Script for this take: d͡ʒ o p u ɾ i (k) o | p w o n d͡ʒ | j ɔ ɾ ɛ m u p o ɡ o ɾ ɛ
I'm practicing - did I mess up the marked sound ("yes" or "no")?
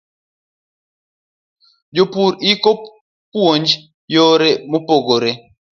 no